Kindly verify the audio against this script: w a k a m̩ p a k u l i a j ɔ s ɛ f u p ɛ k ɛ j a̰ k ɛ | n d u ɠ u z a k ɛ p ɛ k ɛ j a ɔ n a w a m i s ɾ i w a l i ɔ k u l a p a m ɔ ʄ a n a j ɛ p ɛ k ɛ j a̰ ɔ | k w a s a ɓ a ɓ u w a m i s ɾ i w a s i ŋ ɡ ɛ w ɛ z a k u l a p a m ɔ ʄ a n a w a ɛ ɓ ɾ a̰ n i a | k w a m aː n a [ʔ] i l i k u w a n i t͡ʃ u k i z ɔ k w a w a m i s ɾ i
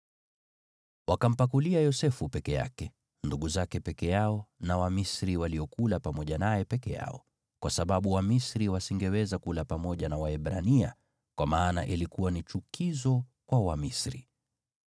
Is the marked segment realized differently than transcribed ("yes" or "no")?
no